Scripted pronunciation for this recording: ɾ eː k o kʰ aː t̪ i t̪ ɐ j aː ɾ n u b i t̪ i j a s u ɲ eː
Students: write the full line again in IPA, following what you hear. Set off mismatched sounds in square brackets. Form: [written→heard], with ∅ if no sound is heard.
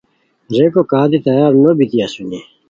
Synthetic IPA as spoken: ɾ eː k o [kʰ→k] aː [t̪→d̪] i t̪ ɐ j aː ɾ n [u→o] b i t̪ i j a s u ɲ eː